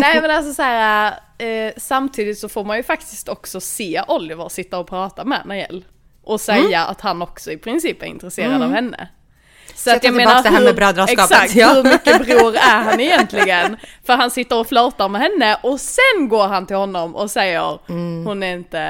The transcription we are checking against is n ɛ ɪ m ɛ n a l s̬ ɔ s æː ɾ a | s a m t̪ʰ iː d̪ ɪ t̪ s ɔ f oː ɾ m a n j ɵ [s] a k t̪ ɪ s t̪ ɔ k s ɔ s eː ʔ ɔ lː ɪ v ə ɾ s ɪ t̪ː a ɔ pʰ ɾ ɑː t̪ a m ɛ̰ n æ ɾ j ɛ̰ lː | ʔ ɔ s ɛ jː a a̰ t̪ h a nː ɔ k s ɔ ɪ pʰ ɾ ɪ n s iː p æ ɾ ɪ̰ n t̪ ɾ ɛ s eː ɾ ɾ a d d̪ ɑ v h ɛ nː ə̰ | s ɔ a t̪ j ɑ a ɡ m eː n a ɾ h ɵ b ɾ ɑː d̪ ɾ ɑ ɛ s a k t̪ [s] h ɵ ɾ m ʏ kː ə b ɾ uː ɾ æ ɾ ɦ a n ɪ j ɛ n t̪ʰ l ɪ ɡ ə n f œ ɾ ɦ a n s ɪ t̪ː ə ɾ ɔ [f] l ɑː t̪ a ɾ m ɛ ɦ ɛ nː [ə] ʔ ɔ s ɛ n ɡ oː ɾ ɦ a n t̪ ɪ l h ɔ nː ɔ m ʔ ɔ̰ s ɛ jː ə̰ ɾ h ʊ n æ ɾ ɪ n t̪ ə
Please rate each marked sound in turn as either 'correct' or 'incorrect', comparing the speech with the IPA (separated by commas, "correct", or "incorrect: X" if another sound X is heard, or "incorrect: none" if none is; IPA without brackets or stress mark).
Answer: incorrect: f, incorrect: h, correct, correct